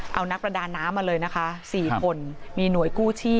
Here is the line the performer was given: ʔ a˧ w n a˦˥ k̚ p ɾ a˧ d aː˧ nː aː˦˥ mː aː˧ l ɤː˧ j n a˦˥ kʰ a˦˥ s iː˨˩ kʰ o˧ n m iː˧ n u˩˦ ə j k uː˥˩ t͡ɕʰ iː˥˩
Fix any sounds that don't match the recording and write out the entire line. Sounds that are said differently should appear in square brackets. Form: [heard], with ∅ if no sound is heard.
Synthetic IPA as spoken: ʔ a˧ w n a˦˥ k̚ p ɾ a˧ d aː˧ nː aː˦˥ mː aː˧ l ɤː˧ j n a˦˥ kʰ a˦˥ s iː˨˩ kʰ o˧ n m iː˧ n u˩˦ ə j k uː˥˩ t͡ɕʰ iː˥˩